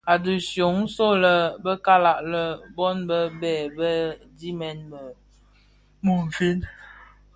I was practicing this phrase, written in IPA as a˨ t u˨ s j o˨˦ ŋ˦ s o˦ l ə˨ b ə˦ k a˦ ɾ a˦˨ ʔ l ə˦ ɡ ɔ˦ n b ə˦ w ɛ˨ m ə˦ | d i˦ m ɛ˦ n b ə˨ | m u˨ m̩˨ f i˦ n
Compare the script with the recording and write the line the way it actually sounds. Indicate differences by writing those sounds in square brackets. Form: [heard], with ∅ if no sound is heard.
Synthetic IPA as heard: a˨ [d] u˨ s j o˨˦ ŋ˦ s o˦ l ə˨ b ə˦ k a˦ [l] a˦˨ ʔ l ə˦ [b] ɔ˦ n b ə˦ [b] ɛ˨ [b] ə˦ | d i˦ m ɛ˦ n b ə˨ | m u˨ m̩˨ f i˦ n